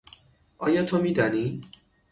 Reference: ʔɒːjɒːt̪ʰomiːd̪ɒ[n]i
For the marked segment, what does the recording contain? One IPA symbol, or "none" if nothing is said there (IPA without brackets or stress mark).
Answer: n